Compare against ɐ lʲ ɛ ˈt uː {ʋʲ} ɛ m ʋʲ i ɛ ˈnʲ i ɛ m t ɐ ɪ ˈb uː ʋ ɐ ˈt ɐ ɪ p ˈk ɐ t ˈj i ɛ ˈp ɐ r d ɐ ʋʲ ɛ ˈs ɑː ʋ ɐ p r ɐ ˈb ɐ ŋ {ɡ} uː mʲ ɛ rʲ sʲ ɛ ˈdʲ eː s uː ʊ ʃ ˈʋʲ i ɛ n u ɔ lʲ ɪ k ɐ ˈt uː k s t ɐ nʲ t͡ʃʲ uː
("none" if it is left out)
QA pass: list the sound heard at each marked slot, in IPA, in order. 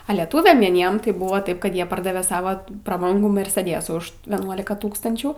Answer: ʋʲ, ɡ

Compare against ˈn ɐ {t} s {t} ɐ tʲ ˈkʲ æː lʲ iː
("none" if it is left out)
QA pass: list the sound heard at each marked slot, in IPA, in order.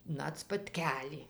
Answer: t, p

